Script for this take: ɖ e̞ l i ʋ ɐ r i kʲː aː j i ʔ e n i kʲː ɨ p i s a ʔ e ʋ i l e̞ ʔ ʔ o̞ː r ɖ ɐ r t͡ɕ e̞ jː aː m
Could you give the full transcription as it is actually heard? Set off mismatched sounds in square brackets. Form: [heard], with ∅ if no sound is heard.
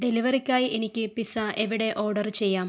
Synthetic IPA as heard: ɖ e̞ l i ʋ ɐ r i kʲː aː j i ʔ e n i kʲː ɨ p i s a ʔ e ʋ i [ɽ] e̞ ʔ ʔ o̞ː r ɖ ɐ r t͡ɕ e̞ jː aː m